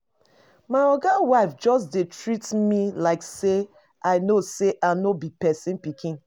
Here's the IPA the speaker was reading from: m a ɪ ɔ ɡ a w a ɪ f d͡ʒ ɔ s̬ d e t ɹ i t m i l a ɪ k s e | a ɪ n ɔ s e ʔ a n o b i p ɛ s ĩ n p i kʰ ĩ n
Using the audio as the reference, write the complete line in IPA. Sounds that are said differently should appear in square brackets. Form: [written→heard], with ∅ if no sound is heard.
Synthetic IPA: m a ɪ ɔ ɡ a w a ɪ f d͡ʒ ɔ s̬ d e t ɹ i t m i l a ɪ k s e | a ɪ n [ɔ→o] s e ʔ a n o b i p ɛ s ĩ n p i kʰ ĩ n